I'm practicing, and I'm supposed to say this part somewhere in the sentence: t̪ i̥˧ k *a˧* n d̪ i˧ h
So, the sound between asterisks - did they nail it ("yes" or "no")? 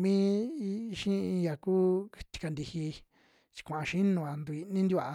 yes